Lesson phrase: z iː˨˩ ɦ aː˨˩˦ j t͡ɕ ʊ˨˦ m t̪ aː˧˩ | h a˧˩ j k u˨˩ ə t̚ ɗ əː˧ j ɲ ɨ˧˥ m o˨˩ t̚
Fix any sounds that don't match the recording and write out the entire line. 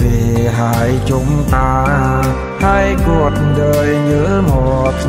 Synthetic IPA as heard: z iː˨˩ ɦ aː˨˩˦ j t͡ɕ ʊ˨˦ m t̪ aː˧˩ | h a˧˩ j k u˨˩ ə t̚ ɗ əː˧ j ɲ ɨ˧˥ m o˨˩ t̚